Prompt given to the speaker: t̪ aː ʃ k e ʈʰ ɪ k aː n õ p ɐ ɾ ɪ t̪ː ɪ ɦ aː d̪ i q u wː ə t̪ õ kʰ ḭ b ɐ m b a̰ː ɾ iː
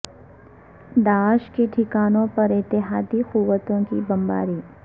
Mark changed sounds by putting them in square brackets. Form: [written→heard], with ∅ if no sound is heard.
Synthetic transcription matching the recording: [t̪→d̪] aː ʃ k e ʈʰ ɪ k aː n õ p ɐ ɾ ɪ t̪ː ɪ ɦ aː d̪ i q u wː ə t̪ õ [kʰ→k] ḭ b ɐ m b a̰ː ɾ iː